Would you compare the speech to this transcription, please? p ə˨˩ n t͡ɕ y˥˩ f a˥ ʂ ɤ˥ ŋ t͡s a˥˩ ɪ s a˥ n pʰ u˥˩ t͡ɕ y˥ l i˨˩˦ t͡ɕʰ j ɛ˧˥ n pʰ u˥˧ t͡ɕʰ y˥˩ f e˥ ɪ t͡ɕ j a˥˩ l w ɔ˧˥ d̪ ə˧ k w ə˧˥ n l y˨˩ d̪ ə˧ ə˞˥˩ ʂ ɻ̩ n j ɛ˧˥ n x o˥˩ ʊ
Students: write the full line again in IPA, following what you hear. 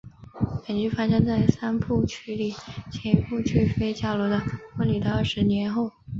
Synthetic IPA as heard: p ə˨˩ n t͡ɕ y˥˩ f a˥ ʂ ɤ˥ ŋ t͡s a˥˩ ɪ s a˥ n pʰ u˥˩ t͡ɕʰ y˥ l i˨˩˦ t͡ɕʰ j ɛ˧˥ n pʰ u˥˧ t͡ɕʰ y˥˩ f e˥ ɪ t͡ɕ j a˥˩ l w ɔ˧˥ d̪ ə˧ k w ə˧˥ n l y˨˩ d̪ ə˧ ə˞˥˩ ʂ ɻ̩ n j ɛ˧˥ n x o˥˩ ʊ